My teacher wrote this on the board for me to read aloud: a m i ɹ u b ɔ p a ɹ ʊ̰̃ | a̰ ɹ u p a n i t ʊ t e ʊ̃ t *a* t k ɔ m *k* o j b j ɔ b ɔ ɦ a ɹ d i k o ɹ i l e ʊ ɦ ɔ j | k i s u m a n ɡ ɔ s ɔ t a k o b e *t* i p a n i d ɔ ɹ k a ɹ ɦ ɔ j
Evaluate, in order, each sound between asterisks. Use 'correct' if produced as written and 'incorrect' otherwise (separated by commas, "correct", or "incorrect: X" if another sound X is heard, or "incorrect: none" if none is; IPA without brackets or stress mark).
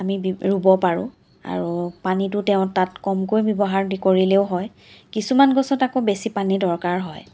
correct, correct, incorrect: s